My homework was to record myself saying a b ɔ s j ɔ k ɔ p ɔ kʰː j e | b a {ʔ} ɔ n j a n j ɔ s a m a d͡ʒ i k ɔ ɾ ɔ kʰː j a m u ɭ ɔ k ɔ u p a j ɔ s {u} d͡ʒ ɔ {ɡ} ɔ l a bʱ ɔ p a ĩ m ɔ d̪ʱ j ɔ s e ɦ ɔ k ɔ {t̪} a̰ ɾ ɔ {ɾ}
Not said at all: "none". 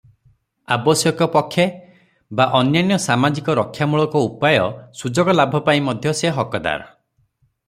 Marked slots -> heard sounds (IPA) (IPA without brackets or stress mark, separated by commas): ʔ, u, ɡ, d̪, none